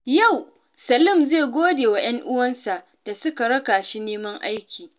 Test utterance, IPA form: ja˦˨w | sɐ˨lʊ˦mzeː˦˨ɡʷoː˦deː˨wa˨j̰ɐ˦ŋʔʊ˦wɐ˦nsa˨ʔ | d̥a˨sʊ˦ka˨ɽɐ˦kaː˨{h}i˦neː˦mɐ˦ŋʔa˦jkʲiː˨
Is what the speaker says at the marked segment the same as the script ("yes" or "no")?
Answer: no